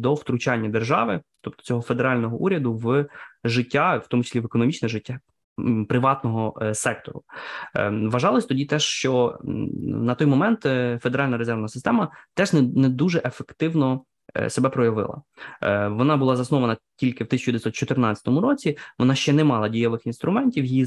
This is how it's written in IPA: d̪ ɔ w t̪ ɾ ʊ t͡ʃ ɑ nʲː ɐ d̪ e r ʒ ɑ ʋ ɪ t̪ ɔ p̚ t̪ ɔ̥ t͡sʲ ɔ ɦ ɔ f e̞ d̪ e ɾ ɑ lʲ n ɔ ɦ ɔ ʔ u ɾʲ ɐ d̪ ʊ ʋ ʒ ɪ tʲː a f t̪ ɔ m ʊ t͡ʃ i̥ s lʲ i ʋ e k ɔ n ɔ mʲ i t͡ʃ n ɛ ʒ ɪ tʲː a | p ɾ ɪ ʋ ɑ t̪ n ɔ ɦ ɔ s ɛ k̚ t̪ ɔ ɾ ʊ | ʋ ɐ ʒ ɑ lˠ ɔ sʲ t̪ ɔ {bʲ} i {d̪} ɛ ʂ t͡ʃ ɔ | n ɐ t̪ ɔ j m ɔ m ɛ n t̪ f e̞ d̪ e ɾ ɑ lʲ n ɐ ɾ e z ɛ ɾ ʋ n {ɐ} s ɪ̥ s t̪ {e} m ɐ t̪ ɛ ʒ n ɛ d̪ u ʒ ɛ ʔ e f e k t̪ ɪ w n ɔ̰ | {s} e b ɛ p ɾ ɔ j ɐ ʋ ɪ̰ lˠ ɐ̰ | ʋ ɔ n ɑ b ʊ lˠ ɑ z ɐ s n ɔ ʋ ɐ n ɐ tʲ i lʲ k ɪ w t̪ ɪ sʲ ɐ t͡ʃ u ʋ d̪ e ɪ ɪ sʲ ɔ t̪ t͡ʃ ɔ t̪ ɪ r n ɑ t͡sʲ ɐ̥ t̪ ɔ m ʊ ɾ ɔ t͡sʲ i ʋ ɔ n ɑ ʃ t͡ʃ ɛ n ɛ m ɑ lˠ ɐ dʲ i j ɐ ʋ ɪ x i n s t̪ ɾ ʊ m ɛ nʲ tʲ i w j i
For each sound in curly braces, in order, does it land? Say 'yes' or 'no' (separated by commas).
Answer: no, no, yes, no, yes